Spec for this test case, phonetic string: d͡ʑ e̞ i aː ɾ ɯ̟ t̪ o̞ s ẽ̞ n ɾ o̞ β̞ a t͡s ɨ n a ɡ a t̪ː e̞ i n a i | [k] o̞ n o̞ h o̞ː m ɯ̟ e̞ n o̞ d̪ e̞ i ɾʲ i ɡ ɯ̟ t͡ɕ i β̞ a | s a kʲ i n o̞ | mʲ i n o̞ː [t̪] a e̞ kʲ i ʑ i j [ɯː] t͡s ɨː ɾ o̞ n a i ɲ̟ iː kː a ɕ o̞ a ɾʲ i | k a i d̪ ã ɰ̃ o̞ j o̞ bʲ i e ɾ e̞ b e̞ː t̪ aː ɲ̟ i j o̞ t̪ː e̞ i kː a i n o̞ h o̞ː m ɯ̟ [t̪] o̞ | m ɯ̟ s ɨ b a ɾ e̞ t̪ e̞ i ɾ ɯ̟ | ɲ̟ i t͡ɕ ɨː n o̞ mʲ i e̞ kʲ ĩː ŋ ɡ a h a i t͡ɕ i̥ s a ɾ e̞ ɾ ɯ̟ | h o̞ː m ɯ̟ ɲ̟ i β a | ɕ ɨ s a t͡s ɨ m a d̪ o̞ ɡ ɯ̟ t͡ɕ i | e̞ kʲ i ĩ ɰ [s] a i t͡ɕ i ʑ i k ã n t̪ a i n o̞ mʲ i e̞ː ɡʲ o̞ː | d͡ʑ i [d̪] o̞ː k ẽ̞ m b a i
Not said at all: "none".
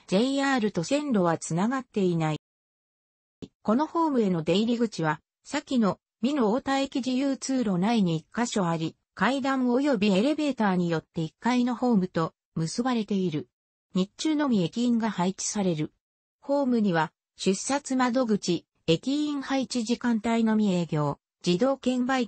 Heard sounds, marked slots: k, t̪, ɯː, t̪, h, d̪

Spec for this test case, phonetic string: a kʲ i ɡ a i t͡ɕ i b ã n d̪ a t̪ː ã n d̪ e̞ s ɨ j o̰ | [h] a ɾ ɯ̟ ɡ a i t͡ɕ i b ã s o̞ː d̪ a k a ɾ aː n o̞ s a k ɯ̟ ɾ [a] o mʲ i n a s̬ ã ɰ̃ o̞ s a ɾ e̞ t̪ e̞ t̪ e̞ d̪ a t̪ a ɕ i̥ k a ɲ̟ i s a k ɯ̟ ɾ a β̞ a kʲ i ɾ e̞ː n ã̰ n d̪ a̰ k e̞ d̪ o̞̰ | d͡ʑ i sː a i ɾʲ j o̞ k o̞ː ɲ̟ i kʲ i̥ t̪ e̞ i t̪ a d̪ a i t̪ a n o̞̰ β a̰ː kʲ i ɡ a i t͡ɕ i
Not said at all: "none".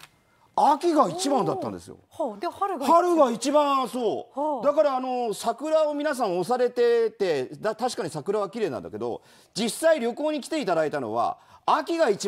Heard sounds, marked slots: h, a

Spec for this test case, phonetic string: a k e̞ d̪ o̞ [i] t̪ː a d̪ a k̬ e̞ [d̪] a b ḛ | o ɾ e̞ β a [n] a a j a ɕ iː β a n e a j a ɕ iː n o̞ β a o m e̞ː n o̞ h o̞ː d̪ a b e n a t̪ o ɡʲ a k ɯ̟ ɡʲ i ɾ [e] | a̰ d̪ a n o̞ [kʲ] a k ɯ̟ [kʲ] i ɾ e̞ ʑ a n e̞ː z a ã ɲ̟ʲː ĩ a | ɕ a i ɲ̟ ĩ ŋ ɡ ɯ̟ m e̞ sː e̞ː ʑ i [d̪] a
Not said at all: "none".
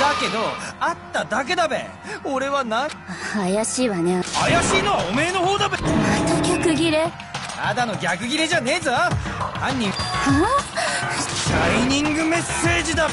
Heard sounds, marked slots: a, d̪, n, e, ɡʲ, ɡʲ, d̪

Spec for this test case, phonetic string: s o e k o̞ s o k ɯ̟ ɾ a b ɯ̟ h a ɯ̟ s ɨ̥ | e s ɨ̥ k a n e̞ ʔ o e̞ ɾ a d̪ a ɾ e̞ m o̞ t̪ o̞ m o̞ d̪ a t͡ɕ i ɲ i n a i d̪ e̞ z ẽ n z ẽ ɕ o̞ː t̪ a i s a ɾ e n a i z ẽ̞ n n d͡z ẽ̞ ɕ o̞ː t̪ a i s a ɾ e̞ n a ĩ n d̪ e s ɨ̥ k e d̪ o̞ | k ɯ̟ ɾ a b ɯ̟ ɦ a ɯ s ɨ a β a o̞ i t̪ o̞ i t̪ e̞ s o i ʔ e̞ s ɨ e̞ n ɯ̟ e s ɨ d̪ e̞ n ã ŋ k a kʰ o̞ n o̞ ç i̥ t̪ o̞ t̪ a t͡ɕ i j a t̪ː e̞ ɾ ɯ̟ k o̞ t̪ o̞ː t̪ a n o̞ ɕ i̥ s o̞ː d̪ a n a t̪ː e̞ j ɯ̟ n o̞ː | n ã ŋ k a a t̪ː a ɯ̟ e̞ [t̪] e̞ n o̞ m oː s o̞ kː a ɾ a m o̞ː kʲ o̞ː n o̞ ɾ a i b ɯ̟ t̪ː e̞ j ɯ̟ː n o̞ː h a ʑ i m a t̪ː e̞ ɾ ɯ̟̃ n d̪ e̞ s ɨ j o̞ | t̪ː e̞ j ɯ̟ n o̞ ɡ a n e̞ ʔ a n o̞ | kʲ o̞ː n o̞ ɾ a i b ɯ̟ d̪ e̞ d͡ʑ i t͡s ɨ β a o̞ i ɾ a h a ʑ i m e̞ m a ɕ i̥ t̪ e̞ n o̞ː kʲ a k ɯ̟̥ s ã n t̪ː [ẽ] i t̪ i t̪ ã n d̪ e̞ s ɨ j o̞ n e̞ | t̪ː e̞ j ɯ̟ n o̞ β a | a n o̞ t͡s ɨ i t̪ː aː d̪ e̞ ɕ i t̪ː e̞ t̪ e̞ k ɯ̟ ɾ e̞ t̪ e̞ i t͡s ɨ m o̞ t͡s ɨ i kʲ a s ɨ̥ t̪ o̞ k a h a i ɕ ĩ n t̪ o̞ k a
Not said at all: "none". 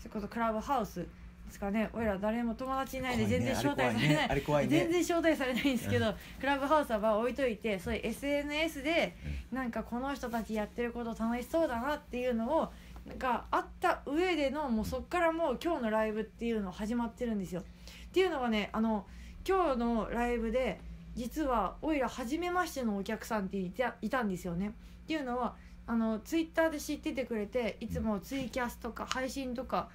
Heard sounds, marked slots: d̪, e

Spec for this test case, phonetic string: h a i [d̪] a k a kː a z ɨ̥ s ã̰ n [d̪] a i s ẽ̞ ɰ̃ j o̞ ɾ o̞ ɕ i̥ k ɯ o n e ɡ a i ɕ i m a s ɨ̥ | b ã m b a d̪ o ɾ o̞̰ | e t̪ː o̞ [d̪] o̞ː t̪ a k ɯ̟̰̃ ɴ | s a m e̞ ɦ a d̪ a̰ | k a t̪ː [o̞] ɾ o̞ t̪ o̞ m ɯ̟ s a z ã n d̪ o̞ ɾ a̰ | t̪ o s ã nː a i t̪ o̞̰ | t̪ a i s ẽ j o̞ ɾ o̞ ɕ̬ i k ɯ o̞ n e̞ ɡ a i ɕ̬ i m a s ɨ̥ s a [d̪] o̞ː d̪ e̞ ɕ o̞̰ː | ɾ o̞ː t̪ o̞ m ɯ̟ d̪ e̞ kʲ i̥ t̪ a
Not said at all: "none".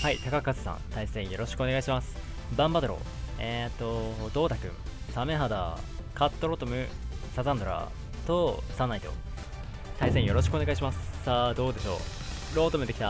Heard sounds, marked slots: t̪, t̪, d̪, o̞, d̪

